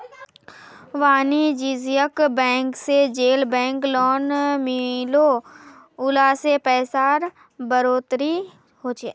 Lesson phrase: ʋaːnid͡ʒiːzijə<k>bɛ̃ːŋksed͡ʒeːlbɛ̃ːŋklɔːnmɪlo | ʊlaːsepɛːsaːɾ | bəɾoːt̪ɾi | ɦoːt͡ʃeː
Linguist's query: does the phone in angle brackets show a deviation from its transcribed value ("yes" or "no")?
no